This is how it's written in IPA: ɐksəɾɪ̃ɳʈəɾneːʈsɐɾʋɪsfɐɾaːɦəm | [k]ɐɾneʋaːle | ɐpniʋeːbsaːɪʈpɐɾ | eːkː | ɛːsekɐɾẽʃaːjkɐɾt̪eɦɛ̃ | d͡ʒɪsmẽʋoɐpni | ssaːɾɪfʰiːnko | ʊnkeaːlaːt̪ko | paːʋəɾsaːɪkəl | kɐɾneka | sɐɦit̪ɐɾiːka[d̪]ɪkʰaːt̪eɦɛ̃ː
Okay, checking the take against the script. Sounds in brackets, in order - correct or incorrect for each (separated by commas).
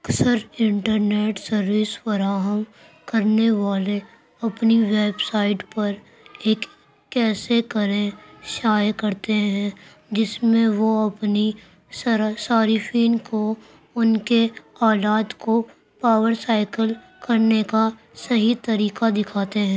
correct, correct